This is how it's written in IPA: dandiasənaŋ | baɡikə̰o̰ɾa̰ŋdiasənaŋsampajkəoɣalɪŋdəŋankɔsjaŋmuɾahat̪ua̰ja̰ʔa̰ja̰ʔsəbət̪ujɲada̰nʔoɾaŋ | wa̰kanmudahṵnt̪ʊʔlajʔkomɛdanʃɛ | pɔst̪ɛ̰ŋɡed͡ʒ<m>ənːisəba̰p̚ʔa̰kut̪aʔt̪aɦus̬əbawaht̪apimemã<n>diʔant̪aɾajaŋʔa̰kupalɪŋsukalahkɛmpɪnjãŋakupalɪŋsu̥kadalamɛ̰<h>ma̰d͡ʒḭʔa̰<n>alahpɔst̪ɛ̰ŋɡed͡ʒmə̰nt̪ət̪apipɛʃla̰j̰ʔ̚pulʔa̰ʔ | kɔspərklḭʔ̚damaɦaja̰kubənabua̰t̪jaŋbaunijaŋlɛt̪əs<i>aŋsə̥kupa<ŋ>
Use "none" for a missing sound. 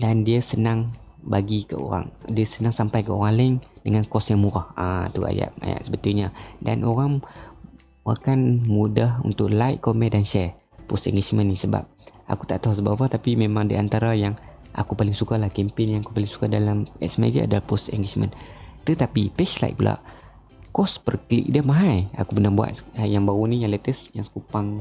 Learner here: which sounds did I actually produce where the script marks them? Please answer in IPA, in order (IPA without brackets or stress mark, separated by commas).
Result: m, ŋ, s, d, j, ŋ